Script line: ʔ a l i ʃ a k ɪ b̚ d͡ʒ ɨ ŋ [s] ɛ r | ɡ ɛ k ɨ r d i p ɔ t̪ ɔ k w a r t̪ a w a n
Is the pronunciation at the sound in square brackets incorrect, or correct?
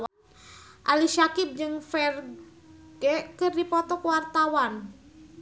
incorrect